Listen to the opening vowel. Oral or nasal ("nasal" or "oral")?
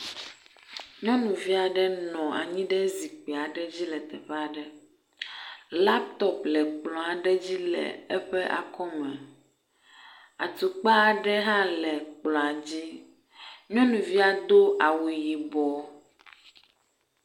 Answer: nasal